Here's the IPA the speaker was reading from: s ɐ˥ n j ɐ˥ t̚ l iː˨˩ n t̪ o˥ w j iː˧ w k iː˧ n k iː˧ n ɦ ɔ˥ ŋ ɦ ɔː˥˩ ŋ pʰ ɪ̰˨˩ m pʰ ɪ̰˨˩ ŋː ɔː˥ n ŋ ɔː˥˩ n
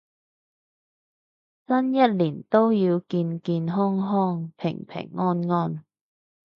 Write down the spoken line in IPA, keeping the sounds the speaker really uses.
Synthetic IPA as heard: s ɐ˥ n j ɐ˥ t̚ l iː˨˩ n t̪ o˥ w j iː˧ w k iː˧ n k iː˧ n ɦ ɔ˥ ŋ ɦ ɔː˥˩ ŋ pʰ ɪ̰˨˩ ŋ pʰ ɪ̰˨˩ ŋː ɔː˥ n ŋ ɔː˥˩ n